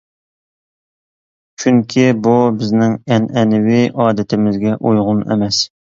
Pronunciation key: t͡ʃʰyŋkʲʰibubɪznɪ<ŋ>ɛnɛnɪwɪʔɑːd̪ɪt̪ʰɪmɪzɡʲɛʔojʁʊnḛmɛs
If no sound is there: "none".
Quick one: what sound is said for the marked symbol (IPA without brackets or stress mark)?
ŋ